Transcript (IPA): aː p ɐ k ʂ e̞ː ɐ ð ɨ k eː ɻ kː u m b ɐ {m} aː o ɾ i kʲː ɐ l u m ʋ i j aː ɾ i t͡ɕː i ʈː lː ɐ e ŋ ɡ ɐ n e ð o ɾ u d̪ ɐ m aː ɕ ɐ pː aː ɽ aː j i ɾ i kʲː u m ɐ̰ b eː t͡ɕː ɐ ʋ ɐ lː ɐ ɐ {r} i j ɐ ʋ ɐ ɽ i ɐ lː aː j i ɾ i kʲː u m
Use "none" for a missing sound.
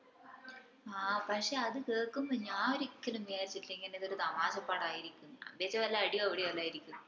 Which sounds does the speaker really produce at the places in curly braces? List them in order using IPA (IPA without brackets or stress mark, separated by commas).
ɲ, ɽ